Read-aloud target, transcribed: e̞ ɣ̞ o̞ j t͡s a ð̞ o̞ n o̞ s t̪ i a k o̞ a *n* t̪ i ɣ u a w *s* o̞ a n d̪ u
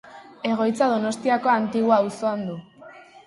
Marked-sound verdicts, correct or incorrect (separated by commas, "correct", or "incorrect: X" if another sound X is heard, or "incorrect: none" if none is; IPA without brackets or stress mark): correct, correct